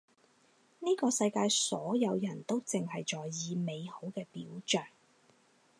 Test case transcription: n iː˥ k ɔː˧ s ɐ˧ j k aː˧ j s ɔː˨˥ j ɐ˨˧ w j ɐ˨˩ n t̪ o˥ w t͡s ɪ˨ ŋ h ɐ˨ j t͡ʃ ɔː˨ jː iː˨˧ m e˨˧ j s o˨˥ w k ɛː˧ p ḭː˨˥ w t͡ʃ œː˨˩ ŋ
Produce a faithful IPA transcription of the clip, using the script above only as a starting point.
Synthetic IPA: n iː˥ k ɔː˧ s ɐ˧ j k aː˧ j s ɔː˨˥ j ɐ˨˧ w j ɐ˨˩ n t̪ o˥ w t͡s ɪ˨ ŋ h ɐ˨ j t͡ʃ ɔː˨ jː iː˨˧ m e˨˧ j h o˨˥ w k ɛː˧ p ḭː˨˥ w t͡ʃ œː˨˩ ŋ